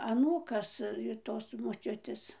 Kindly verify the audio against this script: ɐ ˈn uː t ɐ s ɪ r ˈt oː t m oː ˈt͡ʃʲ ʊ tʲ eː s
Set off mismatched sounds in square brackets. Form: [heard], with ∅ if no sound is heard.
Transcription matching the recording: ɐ ˈn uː [k] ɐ s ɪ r ˈt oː [s] m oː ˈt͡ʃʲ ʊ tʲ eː s